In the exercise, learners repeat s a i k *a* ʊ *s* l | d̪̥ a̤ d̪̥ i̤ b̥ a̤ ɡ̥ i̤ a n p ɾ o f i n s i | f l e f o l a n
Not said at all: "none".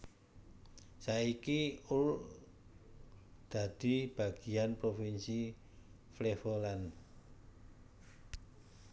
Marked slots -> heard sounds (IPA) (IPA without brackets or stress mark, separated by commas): i, none